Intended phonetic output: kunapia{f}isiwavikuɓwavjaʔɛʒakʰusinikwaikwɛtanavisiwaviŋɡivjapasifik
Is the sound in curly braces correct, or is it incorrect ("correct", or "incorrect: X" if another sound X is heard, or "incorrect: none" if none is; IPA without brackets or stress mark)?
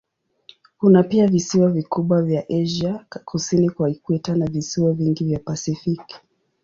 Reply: incorrect: v